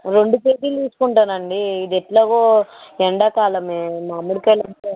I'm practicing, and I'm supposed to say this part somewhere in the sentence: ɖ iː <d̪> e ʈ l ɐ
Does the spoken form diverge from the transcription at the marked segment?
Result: no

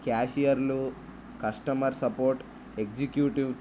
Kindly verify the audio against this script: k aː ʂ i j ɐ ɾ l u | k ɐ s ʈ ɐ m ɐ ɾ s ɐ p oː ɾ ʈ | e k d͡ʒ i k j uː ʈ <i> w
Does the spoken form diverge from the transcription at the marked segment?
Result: no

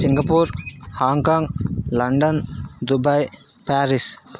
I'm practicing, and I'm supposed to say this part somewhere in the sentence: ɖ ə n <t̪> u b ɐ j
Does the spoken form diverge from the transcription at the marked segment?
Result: yes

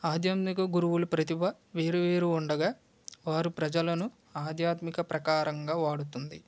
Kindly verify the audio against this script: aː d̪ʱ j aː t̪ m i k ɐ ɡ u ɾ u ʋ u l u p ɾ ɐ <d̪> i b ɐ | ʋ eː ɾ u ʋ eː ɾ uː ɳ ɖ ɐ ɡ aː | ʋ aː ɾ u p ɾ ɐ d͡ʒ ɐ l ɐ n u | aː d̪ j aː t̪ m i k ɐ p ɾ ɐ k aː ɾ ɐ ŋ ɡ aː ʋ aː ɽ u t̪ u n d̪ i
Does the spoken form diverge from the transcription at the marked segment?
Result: yes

